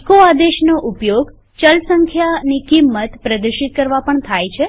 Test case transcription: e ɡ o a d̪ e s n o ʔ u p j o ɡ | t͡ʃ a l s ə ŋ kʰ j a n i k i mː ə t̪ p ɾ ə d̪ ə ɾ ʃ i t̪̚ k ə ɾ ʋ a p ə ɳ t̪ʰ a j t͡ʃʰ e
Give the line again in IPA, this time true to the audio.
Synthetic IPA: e k o a d̪ e ʃ n o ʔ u p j o ɡ | t͡ʃ ə l s ə ŋ kʰ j a n i k i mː ə t̪ p ɾ ə d̪ ə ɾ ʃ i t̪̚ k ə ɾ ʋ a p ə ɳ t̪ʰ a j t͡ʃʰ e